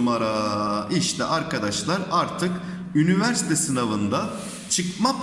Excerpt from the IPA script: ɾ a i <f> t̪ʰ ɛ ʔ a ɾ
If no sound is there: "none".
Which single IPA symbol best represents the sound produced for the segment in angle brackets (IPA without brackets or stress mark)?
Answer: ʃ